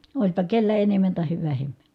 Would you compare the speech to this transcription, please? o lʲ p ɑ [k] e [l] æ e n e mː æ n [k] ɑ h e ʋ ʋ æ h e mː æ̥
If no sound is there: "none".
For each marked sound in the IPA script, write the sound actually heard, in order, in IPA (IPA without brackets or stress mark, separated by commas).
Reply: k, lː, t